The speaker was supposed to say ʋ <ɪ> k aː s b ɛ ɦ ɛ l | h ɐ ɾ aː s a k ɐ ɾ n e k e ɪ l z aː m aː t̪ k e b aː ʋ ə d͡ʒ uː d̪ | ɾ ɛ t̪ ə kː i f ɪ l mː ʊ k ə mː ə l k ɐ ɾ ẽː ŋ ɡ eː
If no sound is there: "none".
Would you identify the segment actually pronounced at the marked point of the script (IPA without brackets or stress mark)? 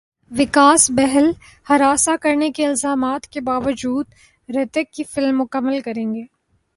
ɪ